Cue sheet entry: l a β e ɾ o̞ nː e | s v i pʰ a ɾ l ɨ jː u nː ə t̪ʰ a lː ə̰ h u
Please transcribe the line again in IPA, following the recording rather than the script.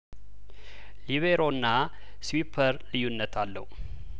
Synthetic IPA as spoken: l i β e ɾ o̞ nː a | s w i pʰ ə ɾ l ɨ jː u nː ə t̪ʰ a lː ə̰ h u

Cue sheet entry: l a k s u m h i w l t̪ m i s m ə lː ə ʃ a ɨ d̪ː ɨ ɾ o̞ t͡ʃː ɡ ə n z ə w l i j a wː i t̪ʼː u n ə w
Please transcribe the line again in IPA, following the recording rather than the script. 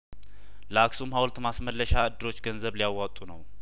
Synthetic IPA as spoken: l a k s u m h a w l t̪ m a s m ə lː ə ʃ a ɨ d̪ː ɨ ɾ o̞ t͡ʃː ɡ ə n z ə β l i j a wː a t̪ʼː u n ə w

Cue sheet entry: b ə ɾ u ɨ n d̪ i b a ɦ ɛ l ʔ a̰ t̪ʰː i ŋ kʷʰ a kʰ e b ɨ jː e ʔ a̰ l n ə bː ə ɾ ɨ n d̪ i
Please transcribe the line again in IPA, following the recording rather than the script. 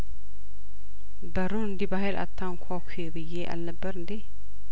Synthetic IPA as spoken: b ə ɾ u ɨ n d̪ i b a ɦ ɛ l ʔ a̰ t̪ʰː a ŋ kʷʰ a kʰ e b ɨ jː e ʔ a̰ l n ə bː ə ɾ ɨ n d̪ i

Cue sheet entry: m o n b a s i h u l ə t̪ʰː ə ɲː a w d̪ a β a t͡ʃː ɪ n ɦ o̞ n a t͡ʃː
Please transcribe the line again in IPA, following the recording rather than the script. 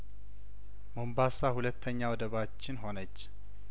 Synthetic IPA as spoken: m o m b a s a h u l ə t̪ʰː ə ɲː a w d̪ ə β a t͡ʃː ɪ n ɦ o̞ n ə t͡ʃː

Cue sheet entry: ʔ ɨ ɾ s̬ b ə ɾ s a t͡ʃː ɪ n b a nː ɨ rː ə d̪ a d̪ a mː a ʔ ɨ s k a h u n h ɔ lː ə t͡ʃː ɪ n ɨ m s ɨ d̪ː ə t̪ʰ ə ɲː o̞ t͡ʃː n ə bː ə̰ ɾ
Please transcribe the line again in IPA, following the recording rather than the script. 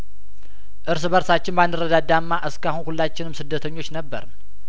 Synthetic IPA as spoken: ʔ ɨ ɾ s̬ b ə ɾ s a t͡ʃː ɪ n b a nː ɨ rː ə d̪ a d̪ a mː a ʔ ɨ s k a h u n h u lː a t͡ʃː ɪ n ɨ m s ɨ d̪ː ə t̪ʰ ə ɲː o̞ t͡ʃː n ə bː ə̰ ɾ

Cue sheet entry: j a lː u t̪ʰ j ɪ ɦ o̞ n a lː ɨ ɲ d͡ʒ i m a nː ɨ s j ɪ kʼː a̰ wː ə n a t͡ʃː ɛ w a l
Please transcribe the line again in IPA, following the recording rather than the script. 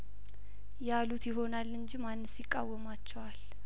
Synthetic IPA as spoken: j a l u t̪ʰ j ɪ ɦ o̞ n a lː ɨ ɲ d͡ʒ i m a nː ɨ s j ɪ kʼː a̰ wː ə m a t͡ʃː ɛ w a l

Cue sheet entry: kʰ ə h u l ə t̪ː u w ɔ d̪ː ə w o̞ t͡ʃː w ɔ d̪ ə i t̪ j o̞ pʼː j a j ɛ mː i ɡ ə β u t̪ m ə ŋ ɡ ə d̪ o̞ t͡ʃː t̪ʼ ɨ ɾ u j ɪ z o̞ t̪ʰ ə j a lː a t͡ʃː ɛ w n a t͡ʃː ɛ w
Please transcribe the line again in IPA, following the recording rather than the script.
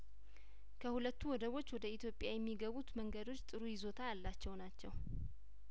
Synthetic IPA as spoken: kʰ ə h u l ə t̪ː u w ɔ d̪ ə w o̞ t͡ʃː w ɔ d̪ ə i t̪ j o̞ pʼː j a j ɛ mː i ɡ ə β u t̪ m ə ŋ ɡ ə d̪ o̞ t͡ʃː t̪ʼ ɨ ɾ u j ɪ z o̞ t̪ʰ a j a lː a t͡ʃː ɛ w n a t͡ʃː ɛ w

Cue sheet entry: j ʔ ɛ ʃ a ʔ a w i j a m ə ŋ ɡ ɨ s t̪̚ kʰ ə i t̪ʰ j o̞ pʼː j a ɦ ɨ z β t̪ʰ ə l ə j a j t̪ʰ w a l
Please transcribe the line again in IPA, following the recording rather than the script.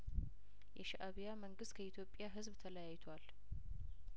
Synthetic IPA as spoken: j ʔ ɛ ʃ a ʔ a β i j a m ə ŋ ɡ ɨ s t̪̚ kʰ ə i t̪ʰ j o̞ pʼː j a ɦ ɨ z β t̪ʰ ə l ə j a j t̪ʰ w a l

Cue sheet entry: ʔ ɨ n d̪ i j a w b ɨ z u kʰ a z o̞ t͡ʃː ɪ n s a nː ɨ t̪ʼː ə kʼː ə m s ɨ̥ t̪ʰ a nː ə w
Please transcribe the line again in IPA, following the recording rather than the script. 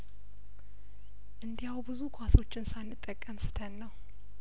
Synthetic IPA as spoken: ʔ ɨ n d̪ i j a w b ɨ z u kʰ a s o̞ t͡ʃː ɪ n s a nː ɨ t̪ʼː ə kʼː ə m s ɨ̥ t̪ʰ ə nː ə w

